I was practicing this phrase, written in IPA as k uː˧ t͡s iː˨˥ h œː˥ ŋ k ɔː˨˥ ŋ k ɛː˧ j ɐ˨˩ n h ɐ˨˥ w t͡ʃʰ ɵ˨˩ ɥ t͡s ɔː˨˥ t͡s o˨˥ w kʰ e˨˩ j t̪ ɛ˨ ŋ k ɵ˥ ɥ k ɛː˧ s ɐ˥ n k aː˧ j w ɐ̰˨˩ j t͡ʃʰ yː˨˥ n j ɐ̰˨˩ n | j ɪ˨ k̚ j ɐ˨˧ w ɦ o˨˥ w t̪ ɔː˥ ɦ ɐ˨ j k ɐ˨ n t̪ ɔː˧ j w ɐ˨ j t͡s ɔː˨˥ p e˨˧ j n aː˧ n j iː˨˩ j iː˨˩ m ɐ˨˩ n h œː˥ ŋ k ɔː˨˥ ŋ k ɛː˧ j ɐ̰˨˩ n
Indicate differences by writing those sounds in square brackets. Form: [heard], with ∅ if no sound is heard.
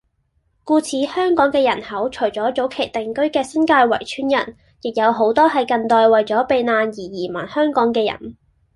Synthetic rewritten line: k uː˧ [t͡sʰ] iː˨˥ h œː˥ ŋ k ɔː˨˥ ŋ k ɛː˧ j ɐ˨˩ n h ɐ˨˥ w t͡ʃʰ ɵ˨˩ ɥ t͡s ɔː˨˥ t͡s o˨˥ w kʰ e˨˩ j t̪ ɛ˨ ŋ k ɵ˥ ɥ k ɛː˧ s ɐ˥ n k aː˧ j w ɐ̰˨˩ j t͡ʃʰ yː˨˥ n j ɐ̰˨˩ n | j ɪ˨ k̚ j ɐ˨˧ w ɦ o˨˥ w t̪ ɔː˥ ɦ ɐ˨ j k ɐ˨ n t̪ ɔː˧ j w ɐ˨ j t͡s ɔː˨˥ p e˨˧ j n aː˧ n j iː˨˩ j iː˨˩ m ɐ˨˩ n h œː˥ ŋ k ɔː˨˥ ŋ k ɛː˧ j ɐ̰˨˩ n